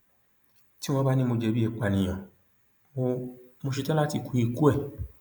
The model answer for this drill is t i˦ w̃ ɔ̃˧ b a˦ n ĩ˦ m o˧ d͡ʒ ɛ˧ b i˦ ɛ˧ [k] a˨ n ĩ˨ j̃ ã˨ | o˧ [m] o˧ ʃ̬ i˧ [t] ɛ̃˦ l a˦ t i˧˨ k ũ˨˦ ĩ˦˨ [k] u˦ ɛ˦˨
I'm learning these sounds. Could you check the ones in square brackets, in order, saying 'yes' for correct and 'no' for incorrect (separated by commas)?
no, yes, yes, yes